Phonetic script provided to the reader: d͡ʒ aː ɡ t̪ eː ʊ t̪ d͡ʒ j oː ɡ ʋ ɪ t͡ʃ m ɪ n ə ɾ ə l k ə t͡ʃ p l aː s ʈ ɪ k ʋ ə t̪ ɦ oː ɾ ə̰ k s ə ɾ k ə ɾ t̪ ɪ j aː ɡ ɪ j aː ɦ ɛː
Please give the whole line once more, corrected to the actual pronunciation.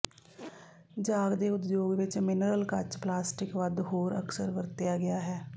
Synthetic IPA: d͡ʒ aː ɡ d̪ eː ʊ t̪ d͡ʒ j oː ɡ ʋ ɪ t͡ʃ m ɪ n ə ɾ ə l k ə t͡ʃ p l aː s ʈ ɪ k ʋ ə d̪ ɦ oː ɾ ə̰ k s ə ɾ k ə ɾ t̪ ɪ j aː ɡ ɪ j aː ɦ ɛː